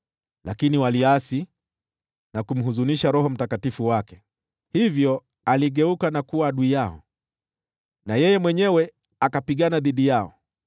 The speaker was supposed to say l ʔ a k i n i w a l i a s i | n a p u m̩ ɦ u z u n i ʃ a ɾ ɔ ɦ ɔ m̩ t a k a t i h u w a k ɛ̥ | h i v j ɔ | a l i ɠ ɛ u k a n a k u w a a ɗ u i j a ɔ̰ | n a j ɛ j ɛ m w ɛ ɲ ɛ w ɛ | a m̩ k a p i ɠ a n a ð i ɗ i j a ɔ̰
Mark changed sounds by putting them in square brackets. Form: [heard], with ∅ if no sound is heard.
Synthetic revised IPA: l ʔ a k i n i w a l i a s i | n a [k] u m̩ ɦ u z u n i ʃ a ɾ ɔ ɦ ɔ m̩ t a k a t i [f] u w a k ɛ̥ | h i v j ɔ | a l i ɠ ɛ u k a n a k u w a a ɗ u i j a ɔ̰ | n a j ɛ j ɛ m w ɛ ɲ ɛ w ɛ | a [∅] k a p i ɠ a n a ð i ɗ i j a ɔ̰